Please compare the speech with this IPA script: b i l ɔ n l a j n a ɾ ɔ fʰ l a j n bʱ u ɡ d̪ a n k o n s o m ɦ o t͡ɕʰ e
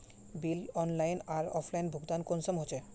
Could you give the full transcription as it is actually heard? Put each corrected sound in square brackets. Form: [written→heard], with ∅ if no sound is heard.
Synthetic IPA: b i l ɔ n l a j n a ɾ ɔ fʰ l a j n bʱ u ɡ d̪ a n k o n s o m ɦ o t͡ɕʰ e